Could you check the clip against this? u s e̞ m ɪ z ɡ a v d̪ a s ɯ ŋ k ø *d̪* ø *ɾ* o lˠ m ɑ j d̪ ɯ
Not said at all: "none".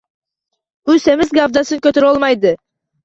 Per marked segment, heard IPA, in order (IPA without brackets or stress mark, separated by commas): t̪, ɾ